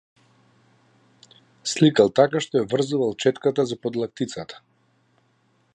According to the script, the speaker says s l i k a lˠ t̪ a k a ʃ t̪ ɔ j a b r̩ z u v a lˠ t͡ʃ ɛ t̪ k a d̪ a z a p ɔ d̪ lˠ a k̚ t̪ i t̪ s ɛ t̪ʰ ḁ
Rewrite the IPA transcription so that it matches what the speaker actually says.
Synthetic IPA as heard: s l i k a lˠ t̪ a k a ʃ t̪ ɔ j a v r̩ z u v a lˠ t͡ʃ ɛ t̪ k a t̪ a z a p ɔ d̪ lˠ a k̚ t̪ i t̪ s a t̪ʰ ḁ